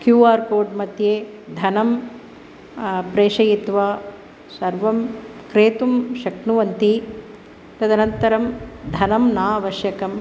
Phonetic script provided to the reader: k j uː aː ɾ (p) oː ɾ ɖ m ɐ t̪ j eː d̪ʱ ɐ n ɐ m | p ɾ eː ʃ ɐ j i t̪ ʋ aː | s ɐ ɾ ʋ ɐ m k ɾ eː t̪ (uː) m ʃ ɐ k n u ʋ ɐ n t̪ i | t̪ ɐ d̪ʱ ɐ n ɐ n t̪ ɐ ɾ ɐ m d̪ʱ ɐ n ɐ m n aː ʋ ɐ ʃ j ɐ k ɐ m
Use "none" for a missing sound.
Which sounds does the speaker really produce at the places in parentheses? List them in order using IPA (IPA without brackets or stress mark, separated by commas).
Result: k, u